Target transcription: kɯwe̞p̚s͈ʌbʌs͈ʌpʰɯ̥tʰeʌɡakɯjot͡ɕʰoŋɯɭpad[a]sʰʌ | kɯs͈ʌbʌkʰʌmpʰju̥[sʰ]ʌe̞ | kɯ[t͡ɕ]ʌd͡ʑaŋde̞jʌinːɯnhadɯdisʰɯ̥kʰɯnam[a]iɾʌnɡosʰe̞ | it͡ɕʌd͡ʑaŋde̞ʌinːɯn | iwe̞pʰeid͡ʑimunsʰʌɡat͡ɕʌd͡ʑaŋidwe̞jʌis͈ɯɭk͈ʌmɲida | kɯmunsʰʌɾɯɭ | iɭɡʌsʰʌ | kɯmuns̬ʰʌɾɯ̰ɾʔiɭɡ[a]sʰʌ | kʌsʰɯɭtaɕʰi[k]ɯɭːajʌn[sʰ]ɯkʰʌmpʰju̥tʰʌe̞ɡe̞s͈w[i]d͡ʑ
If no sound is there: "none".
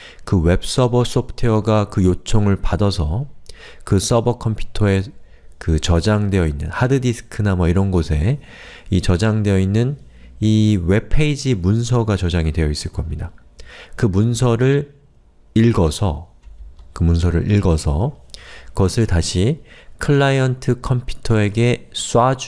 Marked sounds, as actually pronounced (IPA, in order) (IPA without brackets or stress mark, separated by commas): ʌ, tʰ, t͡ɕ, ʌ, ʌ, kʰ, tʰ, a